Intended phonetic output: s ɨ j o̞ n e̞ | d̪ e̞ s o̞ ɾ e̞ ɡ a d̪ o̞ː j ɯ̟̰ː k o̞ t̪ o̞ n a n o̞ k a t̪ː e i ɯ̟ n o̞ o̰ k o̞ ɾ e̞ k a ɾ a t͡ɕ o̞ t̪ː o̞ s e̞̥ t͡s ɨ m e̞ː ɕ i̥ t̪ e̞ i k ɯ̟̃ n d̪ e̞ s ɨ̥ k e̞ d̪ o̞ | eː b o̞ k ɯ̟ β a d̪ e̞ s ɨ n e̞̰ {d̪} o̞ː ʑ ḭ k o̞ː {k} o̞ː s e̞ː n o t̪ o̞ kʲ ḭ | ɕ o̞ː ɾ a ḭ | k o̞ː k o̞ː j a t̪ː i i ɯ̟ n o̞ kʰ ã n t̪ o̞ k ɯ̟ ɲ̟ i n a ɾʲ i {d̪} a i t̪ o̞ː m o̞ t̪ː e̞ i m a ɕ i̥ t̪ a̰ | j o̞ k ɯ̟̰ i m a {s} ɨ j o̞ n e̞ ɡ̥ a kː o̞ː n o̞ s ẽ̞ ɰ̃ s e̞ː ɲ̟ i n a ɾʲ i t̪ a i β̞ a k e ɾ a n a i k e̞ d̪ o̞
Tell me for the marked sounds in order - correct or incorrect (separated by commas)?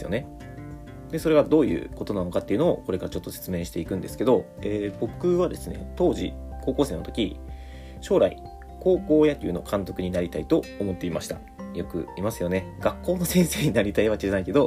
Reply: incorrect, correct, incorrect, correct